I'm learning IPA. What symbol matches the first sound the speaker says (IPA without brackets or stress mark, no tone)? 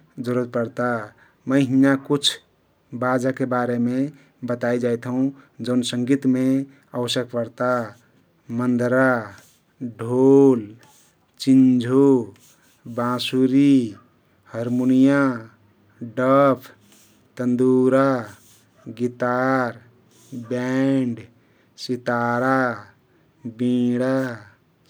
d͡ʒ